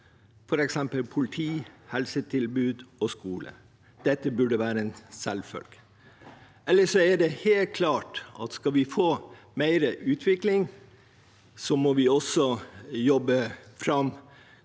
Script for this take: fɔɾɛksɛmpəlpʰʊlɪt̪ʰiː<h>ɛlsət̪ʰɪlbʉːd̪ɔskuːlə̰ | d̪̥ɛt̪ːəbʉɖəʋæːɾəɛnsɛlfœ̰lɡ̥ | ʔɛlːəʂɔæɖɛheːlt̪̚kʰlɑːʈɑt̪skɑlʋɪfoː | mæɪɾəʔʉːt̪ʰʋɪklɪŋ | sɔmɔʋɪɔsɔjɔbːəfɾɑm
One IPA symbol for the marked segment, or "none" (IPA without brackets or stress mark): h